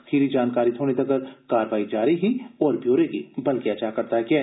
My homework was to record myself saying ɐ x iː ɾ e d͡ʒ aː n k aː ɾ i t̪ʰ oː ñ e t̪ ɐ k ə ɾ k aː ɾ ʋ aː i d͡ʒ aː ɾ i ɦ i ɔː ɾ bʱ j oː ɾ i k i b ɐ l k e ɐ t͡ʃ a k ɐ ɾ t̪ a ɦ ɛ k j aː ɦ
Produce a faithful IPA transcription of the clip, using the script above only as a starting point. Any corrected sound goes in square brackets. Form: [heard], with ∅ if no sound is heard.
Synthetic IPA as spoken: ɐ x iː ɾ [i] d͡ʒ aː n k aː ɾ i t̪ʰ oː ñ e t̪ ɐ k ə ɾ k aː ɾ ʋ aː i d͡ʒ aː ɾ i ɦ i ɔː ɾ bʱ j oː ɾ [e] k i b ɐ l k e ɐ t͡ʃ a k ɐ ɾ t̪ a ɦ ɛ k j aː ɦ

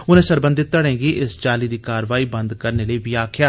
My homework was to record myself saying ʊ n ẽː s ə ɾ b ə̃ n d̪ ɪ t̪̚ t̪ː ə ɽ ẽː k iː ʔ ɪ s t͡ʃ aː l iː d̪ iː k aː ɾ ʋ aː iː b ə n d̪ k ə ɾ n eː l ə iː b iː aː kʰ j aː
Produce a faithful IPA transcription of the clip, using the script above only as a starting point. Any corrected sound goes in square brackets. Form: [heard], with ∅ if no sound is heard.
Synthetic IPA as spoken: ʊ n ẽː s ə ɾ b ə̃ n d̪ ɪ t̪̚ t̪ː ə ɽ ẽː [ɡ] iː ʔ ɪ s t͡ʃ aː l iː d̪ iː k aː ɾ ʋ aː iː b ə n d̪ k ə ɾ n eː l ə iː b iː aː kʰ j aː

